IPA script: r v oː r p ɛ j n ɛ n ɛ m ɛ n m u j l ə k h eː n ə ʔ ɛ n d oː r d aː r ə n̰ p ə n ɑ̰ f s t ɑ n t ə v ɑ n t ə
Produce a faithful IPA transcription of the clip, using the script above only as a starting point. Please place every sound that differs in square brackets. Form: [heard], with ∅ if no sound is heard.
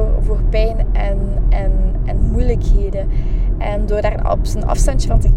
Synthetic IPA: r v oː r p ɛ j n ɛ n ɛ [n] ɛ n m u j l ə k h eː [d] ə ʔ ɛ n d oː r d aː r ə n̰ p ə n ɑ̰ f s t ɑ n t ə v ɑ n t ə